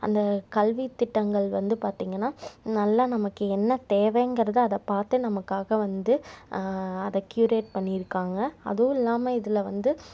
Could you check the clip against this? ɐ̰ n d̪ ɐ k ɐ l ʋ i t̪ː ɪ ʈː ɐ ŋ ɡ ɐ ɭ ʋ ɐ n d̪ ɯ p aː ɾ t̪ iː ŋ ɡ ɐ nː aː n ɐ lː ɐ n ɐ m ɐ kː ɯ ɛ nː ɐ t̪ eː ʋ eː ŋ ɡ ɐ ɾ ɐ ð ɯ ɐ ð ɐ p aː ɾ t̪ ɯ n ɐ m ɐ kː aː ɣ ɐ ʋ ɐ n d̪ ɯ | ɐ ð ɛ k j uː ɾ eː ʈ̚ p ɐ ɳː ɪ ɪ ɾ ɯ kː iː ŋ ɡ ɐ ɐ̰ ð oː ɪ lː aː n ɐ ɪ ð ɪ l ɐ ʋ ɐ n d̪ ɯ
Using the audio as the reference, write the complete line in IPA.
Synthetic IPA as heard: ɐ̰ n d̪ ɐ k ɐ l ʋ i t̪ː ɪ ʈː ɐ ŋ ɡ ɐ ɭ ʋ ɐ n d̪ ɯ p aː ɾ t̪ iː ŋ ɡ ɐ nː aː n ɐ lː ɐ n ɐ m ɐ kː ɯ ɛ nː ɐ t̪ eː ʋ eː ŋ ɡ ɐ ɾ ɐ ð ɯ ɐ ð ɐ p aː ɾ t̪ ɯ n ɐ m ɐ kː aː ɣ ɐ ʋ ɐ n d̪ ɯ | ɐ ð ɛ k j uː ɾ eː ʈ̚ p ɐ ɳː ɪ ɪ ɾ ɯ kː aː ŋ ɡ ɐ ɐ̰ ð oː ɪ lː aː m ɐ ɪ ð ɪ l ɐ ʋ ɐ n d̪ ɯ